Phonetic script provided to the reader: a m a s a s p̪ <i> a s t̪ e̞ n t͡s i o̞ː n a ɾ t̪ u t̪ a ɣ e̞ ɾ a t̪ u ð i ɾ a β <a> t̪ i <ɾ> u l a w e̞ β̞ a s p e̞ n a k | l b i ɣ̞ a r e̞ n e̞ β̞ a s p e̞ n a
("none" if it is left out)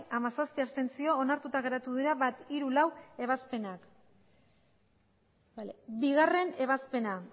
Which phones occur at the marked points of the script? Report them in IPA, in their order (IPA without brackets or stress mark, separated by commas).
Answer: i, a, ɾ